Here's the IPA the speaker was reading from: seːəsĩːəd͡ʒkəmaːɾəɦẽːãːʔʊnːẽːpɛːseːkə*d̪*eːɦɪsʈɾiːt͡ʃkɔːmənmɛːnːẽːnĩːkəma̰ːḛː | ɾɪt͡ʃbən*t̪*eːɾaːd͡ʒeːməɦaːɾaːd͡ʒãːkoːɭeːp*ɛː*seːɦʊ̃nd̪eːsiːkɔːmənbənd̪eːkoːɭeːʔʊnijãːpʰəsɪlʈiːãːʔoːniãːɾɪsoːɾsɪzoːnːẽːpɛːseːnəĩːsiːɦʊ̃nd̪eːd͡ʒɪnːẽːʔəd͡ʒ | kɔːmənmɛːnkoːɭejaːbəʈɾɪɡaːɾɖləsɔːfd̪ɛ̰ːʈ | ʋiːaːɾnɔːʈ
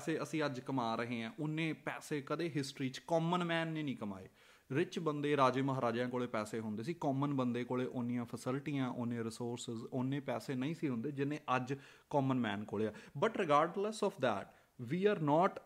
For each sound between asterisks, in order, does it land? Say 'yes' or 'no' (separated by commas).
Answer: yes, no, yes